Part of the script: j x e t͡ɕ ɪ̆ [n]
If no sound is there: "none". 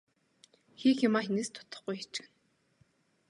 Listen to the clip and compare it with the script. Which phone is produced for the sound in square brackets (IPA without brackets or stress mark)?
n